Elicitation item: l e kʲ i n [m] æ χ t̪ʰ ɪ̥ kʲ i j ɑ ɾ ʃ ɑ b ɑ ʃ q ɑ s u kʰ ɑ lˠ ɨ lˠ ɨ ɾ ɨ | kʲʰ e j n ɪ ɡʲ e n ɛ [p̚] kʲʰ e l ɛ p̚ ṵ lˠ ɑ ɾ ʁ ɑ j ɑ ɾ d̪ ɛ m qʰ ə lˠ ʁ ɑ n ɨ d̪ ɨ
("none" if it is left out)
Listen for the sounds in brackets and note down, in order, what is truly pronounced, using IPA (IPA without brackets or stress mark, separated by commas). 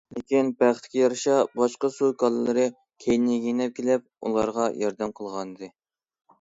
b, p̚